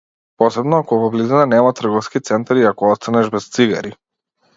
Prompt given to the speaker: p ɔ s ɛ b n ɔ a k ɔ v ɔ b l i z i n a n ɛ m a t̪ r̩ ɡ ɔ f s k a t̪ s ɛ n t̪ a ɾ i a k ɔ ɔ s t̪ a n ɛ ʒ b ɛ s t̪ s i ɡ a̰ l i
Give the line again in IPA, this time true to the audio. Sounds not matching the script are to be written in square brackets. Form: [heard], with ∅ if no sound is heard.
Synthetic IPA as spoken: p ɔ s ɛ b n ɔ a k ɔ v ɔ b l i z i n a n ɛ m a t̪ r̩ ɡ ɔ f s k [i] t̪ s ɛ n t̪ a ɾ i a k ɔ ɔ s t̪ a n ɛ ʒ b ɛ s t̪ s i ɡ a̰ [ɾ] i